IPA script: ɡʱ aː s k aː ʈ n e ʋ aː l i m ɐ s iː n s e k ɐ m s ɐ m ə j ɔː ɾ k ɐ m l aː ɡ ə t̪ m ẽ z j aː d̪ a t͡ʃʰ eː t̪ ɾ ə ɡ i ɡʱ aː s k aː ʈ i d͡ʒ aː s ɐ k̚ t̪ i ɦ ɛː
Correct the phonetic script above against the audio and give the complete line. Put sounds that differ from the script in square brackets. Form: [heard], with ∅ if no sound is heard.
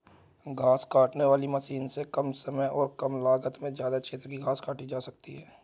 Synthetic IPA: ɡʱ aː s k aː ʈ n e ʋ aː l i m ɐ s iː n s e k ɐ m s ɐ m ə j ɔː ɾ k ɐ m l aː ɡ ə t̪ m ẽ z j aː d̪ a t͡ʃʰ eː t̪ ɾ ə [k] i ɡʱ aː s k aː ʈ i d͡ʒ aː s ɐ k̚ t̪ i ɦ ɛː